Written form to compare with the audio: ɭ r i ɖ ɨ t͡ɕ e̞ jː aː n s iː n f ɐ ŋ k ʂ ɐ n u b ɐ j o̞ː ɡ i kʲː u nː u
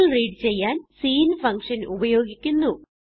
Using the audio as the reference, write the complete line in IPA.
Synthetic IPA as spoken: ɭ r iː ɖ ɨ t͡ɕ e̞ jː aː n s iː n f ɐ ŋ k ʂ ɐ n u b ɐ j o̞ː ɡ i kʲː u nː u